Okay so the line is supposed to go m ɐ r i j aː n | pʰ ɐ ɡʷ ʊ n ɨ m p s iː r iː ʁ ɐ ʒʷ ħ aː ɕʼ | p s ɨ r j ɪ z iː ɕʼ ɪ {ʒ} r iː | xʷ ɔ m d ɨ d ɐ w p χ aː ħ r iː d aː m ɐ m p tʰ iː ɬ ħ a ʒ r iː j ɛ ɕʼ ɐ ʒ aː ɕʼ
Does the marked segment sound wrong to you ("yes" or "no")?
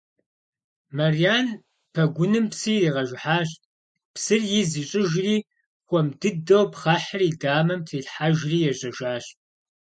no